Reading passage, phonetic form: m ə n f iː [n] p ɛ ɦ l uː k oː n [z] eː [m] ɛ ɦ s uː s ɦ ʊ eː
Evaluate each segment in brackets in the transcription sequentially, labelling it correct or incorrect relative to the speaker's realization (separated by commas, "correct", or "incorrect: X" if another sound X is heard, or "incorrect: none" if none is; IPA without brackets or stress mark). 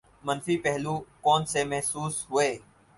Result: incorrect: none, incorrect: s, correct